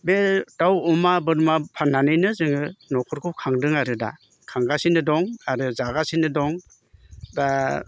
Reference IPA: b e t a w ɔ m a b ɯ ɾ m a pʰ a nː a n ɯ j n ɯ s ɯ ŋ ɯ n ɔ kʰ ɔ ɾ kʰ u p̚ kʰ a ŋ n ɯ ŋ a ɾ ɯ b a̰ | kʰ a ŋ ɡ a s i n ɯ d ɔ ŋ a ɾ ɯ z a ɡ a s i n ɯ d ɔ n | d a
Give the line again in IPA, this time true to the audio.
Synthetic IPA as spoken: b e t a w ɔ m a b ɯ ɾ m a pʰ a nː a n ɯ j n ɯ z ɯ ŋ ɯ n ɔ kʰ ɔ ɾ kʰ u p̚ kʰ a ŋ d ɯ ŋ a ɾ ɯ d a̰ | kʰ a ŋ ɡ a s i n ɯ d ɔ ŋ a ɾ ɯ z a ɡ a s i n ɯ d ɔ ŋ | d a